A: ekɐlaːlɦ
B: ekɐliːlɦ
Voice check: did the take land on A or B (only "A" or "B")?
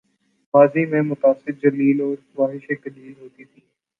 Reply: B